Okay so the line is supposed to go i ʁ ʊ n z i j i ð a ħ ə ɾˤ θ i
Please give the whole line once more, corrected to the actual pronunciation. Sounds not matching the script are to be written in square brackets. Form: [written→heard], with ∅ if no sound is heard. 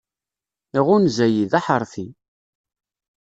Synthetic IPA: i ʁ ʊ n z [i→æ] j i ð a ħ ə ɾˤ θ i